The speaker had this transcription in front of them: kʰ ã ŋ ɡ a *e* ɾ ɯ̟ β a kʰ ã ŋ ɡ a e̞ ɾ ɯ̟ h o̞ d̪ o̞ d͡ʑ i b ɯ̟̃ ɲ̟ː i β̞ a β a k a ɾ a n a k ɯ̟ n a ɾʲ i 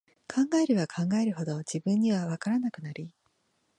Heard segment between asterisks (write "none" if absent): e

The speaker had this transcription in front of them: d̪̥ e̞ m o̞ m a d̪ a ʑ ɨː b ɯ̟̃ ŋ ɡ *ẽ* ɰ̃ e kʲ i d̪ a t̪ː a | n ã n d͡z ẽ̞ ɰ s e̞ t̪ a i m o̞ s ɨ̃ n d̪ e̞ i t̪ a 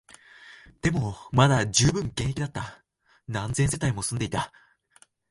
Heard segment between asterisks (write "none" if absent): ẽ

